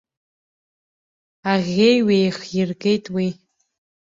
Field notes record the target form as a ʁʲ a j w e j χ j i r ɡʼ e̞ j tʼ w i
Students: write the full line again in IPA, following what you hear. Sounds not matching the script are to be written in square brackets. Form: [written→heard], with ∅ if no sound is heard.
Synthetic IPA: a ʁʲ [a→e] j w e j χ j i r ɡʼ e̞ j tʼ w i